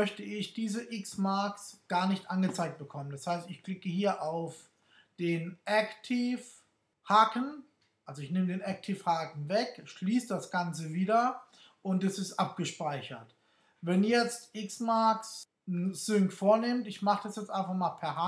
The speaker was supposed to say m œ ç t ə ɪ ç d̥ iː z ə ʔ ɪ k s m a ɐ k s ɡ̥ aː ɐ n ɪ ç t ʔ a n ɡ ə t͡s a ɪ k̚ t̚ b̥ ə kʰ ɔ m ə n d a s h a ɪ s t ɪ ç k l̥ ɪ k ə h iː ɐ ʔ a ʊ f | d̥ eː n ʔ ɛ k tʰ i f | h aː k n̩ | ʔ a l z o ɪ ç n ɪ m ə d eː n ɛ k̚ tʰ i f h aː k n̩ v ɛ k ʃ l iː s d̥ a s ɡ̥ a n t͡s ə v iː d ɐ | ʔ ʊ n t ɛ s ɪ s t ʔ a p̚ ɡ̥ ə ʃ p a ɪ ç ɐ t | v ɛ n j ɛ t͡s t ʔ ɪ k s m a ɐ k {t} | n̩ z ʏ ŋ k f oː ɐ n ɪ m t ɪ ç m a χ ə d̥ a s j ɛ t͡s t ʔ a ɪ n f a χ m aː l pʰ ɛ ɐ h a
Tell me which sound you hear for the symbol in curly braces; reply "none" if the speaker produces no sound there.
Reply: s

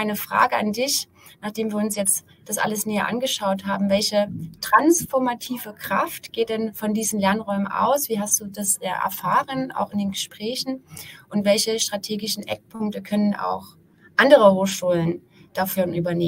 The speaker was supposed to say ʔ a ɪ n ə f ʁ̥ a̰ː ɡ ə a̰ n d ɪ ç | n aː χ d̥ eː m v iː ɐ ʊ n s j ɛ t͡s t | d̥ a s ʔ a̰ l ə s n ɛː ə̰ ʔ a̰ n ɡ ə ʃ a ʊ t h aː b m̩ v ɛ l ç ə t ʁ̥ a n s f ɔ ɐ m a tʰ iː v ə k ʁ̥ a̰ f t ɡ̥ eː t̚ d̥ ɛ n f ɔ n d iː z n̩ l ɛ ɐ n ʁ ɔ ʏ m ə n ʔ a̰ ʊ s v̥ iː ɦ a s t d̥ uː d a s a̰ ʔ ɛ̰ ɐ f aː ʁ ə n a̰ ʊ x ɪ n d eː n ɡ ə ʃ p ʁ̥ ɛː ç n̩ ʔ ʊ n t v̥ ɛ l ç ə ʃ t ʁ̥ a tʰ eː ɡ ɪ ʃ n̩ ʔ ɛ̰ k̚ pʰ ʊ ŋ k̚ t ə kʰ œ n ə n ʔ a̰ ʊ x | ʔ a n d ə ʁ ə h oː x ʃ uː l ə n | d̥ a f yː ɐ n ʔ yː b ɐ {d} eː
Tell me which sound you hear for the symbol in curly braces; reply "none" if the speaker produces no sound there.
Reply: n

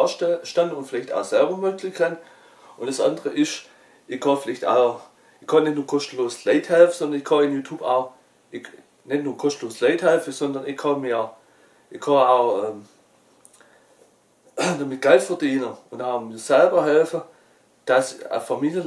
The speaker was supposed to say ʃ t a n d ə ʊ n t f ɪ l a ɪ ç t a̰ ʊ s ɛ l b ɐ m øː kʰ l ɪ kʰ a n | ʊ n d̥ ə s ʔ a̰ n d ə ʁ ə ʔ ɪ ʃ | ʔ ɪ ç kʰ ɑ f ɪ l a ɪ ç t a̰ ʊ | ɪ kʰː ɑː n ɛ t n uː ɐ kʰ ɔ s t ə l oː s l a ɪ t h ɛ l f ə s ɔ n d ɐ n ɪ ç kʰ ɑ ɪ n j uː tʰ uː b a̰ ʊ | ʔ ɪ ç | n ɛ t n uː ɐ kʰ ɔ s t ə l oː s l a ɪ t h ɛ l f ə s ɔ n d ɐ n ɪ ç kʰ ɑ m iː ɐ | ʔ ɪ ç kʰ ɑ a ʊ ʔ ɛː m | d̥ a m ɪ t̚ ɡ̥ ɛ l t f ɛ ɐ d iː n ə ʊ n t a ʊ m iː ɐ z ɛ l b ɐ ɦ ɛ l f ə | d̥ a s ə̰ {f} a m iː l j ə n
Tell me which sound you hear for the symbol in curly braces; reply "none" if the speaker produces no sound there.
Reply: f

